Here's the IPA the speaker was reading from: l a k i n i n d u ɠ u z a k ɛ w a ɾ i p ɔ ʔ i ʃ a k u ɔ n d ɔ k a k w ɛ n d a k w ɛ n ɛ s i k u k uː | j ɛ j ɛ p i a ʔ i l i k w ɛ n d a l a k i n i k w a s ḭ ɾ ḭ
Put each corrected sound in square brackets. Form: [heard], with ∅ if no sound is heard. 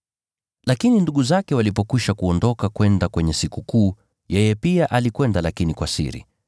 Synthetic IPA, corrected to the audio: l a k i n i n d u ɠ u z a k ɛ w a [l] i p ɔ [k] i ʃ a k u ɔ n d ɔ k a k w ɛ n d a k w ɛ [ɲ] ɛ s i k u k uː | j ɛ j ɛ p i a ʔ [a] l i k w ɛ n d a l a k i n i k w a s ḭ ɾ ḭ